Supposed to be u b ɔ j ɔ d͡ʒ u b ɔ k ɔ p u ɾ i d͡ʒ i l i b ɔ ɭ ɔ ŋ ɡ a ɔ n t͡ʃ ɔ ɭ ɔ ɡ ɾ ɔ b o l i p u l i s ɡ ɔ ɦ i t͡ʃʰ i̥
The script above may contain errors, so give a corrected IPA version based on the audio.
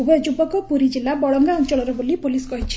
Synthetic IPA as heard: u b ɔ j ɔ d͡ʒ u b ɔ k ɔ p u ɾ i d͡ʒ i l a b ɔ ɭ ɔ ŋ ɡ a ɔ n t͡ʃ ɔ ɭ ɔ ɾ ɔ b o l i p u l i s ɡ ɔ ɦ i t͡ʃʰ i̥